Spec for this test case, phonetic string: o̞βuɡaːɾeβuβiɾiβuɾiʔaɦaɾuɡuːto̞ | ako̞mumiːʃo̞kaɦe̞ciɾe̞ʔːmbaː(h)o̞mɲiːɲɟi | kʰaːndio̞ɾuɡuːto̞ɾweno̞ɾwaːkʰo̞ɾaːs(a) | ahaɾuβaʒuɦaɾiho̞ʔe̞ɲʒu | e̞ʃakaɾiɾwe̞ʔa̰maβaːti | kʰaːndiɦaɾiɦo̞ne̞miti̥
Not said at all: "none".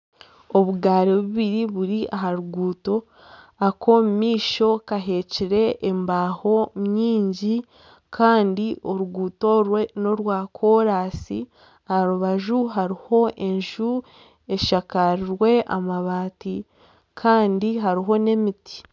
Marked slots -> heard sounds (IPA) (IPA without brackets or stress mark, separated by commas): h, i